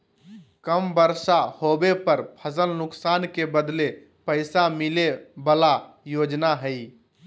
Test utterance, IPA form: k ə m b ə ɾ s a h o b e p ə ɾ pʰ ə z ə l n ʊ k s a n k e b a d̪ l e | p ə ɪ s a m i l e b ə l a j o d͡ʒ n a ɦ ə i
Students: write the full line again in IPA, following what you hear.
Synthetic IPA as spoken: k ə m b ə ɾ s a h o b e p ə ɾ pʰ ə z ə l n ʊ k s a n k e b ə d̪ l e | p ə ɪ s a m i l e b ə l a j o d͡ʒ n a ɦ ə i